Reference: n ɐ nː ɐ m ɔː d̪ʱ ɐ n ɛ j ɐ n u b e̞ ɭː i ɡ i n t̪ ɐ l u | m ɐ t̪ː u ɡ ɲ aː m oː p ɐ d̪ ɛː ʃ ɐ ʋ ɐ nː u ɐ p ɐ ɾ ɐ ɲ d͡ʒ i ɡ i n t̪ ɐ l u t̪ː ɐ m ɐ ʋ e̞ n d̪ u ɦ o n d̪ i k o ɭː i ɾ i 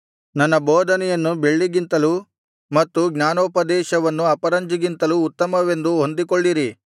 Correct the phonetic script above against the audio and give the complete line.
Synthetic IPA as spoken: n ɐ nː ɐ b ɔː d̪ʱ ɐ n ɛ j ɐ nː u b e̞ ɭː i ɡ i n t̪ ɐ l u | m ɐ t̪ː u ɡ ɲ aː n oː p ɐ d̪ ɛː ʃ ɐ ʋ ɐ nː u ɐ p ɐ ɾ ɐ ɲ d͡ʒ i ɡ i n t̪ ɐ l uː t̪ː ɐ m ɐ ʋ e̞ n d̪ u ɦ o n d̪ i k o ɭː i ɾ i